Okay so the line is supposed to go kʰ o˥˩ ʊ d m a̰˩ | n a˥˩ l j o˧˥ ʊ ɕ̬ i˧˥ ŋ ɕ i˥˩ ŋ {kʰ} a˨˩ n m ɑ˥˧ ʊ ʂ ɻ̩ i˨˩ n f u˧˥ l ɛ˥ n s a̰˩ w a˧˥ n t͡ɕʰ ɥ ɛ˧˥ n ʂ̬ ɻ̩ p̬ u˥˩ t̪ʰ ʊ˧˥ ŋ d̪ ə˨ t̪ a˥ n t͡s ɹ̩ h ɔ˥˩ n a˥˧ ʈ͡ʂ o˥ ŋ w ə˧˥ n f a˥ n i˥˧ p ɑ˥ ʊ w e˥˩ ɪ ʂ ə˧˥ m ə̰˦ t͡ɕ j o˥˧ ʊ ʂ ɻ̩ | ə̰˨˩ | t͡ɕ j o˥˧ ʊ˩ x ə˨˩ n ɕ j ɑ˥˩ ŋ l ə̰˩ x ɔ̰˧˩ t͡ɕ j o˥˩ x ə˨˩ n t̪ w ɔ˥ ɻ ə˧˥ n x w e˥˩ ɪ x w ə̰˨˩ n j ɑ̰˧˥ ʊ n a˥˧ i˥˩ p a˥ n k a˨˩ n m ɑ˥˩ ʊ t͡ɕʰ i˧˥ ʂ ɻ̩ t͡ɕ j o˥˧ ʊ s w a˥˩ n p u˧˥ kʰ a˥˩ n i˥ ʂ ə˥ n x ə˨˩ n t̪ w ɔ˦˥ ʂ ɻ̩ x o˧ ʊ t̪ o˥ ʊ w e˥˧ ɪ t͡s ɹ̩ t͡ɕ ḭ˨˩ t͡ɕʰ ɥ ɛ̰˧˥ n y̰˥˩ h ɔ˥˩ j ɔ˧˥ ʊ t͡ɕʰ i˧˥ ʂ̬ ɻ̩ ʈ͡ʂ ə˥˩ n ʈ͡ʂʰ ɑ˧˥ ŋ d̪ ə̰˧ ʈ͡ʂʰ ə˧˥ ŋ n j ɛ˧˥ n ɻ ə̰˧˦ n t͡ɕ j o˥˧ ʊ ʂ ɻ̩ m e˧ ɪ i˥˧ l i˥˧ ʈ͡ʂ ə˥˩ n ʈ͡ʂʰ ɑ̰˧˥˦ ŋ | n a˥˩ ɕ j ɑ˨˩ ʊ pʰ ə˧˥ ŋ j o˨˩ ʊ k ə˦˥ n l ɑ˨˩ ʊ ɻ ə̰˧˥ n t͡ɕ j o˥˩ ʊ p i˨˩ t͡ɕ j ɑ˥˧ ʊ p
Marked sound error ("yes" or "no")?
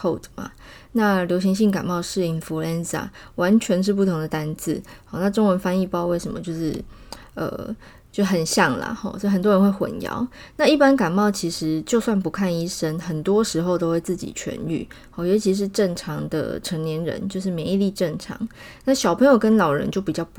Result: yes